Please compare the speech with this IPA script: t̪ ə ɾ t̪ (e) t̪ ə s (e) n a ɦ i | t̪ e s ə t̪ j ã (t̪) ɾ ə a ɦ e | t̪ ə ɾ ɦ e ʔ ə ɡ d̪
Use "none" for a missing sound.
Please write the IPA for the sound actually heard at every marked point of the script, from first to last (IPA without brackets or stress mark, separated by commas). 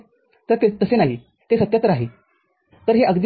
e, e, t̪